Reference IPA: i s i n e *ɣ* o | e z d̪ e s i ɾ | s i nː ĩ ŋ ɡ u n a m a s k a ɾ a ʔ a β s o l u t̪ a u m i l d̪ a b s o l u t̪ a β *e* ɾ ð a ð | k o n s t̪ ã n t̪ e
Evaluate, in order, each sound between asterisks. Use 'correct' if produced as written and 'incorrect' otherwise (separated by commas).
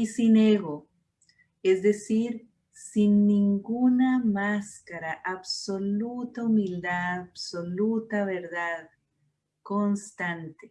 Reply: correct, correct